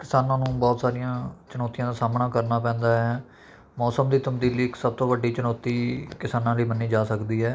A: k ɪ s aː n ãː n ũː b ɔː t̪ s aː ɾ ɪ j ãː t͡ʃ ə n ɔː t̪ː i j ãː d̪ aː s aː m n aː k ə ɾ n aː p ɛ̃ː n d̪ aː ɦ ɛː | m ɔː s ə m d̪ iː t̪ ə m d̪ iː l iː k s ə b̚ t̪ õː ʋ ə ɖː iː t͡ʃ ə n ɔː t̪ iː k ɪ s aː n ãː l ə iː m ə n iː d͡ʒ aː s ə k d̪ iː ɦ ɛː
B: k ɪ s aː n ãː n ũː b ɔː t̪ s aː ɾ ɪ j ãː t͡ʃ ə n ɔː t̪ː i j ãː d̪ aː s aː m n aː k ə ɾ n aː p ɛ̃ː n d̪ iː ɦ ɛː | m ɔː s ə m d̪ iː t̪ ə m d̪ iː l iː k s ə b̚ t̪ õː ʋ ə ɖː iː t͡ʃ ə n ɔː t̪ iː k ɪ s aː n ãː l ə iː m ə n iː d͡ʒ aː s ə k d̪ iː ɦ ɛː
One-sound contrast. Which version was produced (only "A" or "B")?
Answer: A